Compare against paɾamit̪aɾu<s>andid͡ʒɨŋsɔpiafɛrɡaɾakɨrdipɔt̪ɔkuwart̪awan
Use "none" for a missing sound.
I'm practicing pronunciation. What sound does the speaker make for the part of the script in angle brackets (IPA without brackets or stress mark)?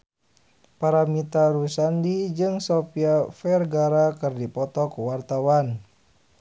s